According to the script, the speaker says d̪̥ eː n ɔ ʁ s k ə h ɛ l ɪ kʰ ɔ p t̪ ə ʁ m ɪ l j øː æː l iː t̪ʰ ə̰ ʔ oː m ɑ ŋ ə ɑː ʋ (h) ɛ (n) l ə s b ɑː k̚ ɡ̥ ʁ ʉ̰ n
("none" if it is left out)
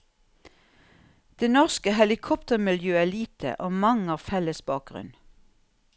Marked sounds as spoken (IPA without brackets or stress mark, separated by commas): f, none